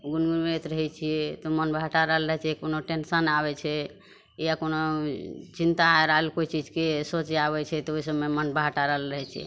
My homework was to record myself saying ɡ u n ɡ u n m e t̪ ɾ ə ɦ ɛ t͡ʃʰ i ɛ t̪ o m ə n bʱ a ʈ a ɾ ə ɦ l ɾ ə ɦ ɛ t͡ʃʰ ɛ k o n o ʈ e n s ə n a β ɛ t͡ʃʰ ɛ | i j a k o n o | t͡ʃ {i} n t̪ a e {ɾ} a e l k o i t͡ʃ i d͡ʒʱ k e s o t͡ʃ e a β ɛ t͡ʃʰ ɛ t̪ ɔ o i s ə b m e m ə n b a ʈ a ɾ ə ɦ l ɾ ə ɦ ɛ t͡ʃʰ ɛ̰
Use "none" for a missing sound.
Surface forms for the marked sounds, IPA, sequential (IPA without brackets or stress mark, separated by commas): i, ɾ